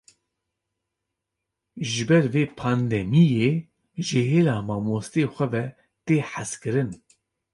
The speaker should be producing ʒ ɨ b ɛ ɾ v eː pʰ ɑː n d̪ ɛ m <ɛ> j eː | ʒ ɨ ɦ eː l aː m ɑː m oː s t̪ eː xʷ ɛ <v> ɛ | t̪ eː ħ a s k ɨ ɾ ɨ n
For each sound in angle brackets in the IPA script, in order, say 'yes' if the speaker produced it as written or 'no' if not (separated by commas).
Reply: no, yes